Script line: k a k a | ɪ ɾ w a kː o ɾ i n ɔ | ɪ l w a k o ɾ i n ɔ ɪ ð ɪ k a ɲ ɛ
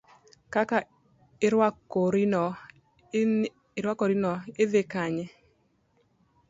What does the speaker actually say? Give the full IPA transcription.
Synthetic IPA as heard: k a k a | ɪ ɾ w a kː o ɾ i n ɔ | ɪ ɾ w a k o ɾ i n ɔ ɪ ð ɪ k a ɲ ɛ